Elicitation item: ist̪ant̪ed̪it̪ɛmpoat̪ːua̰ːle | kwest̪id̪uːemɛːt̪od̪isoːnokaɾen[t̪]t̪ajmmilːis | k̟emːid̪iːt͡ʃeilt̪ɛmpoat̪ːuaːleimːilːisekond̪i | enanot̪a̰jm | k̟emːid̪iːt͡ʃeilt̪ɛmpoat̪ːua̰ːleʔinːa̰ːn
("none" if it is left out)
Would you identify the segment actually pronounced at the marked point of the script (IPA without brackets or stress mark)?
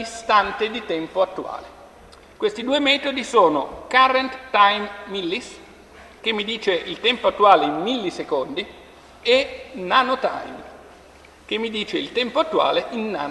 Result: t̪